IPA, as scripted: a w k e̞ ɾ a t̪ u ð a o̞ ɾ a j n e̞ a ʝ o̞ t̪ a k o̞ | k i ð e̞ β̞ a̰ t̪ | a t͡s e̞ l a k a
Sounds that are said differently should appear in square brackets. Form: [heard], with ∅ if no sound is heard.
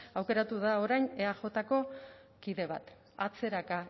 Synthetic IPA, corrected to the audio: a w k e̞ ɾ a t̪ u ð a o̞ ɾ a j n e̞ a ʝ o̞ t̪ a k o̞ | k i ð e̞ β̞ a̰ t̪ | a t͡s e̞ [ɾ] a k a